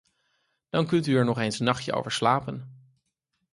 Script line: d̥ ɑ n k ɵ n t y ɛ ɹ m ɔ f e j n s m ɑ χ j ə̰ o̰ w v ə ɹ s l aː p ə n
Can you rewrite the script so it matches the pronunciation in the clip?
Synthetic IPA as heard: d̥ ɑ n k ɵ n t y ɛ ɹ n ɔ χ e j n s n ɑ χ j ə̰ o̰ w v ə ɹ s l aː p ə n